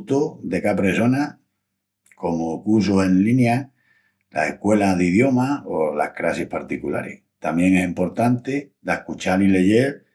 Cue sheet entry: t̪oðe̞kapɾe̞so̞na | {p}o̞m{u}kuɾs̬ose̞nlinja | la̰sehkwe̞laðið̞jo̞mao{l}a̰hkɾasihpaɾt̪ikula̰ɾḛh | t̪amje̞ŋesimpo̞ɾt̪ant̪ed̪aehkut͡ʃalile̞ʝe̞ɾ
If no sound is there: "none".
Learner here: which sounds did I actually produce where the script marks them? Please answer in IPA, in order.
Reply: k, o, l

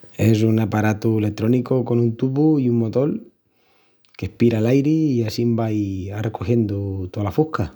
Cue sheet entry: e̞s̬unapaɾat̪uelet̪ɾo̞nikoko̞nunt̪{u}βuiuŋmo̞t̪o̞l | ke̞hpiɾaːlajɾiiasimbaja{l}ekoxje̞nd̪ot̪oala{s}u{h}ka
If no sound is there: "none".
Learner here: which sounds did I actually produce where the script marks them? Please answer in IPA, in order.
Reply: u, r, f, h

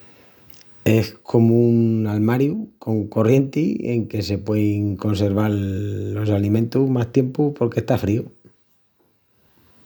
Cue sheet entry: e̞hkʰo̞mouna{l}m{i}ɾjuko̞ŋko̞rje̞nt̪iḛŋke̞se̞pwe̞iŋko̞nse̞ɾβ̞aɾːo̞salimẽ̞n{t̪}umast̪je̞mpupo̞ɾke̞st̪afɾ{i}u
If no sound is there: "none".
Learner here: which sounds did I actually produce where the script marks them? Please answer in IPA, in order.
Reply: l, a, t̪, i

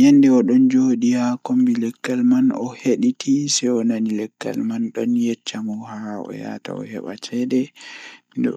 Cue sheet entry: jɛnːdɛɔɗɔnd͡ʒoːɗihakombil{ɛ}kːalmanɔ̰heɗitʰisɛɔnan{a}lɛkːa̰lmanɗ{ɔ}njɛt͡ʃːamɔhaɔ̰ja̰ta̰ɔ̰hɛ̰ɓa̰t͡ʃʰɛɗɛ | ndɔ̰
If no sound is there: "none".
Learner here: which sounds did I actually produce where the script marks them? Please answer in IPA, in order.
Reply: ɛ, i, ɔ

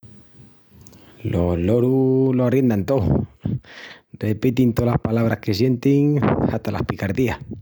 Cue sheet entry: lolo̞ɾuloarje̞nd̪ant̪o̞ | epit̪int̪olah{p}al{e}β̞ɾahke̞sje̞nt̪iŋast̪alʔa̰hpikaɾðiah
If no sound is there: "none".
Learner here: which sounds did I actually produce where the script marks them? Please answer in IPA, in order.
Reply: p, a

